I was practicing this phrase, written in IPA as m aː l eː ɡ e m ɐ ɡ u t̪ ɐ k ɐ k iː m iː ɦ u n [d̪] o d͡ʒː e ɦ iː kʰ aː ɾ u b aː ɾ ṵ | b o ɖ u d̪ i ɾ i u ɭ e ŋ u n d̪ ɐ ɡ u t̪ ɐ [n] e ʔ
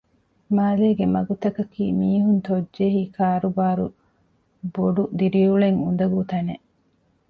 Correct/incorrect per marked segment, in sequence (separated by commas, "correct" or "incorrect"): incorrect, correct